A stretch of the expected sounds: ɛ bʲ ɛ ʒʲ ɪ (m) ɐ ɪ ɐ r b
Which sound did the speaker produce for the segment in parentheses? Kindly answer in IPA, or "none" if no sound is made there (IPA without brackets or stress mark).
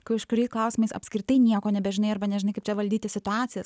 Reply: n